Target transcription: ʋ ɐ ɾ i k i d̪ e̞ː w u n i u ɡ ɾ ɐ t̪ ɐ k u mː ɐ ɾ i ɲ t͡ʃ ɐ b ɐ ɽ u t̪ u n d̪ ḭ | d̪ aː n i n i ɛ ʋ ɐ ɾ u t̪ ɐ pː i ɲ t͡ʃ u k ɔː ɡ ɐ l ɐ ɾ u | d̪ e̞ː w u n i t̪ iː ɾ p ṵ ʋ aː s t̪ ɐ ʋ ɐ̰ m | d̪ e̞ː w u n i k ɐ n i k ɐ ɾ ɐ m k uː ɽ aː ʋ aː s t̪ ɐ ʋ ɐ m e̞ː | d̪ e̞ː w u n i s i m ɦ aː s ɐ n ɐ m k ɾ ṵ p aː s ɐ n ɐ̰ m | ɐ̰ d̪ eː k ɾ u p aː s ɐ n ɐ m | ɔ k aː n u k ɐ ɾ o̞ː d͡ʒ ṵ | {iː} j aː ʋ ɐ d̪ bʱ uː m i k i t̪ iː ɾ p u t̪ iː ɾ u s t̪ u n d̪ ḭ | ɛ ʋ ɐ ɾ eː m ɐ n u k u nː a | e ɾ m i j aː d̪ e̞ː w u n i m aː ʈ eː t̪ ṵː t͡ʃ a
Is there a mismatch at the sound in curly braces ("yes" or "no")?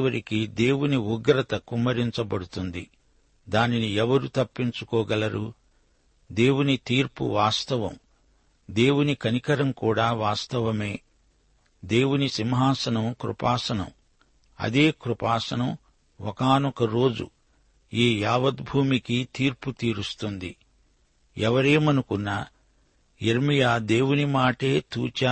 no